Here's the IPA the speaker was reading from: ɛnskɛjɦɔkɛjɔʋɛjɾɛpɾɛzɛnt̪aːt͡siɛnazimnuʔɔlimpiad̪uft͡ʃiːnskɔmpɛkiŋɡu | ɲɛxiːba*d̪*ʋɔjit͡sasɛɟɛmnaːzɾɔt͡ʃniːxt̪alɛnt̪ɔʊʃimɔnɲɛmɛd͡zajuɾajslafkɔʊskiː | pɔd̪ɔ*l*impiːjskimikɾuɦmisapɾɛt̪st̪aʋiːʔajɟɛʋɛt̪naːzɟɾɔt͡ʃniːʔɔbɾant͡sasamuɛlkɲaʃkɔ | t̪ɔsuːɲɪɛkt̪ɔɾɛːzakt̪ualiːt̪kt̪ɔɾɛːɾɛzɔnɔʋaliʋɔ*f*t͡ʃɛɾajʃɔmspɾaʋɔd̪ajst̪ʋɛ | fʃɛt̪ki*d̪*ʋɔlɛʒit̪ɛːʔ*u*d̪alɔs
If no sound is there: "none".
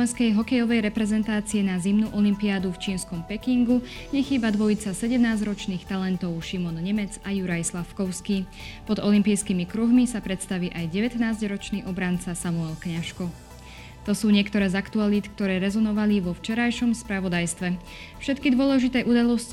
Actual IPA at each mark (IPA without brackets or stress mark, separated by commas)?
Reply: d̪, l, f, d̪, u